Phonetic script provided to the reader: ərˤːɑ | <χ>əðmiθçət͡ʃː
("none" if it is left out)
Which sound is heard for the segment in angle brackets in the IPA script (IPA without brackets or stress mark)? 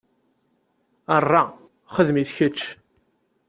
χ